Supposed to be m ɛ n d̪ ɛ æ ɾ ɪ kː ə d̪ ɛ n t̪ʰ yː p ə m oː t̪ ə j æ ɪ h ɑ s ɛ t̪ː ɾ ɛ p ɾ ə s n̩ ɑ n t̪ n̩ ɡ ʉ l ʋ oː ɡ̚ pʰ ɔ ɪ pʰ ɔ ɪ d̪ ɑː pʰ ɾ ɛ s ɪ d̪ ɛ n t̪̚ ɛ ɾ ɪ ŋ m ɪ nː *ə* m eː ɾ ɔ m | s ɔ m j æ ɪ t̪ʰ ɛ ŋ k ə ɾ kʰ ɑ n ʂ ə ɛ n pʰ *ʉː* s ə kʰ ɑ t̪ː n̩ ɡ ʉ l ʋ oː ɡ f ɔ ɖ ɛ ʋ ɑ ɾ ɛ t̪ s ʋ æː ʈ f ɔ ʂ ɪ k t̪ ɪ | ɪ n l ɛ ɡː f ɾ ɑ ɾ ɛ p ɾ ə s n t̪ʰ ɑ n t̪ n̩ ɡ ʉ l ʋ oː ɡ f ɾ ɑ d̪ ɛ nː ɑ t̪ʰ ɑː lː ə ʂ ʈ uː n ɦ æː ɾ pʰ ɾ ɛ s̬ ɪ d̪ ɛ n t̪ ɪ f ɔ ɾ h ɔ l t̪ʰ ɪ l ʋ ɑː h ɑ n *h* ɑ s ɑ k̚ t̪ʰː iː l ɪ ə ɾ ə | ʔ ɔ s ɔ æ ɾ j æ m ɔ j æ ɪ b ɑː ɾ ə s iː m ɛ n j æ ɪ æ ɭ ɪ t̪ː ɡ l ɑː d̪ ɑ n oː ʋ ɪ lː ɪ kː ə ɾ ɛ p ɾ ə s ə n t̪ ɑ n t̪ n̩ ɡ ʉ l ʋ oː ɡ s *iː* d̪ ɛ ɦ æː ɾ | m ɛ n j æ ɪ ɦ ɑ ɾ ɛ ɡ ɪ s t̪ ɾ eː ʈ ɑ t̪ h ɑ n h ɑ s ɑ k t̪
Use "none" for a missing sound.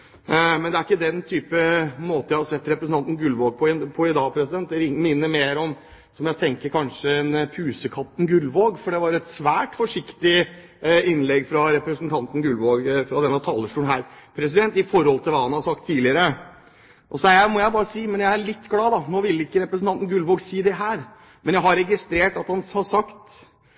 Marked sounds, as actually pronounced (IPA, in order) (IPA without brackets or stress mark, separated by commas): ə, ʉː, h, iː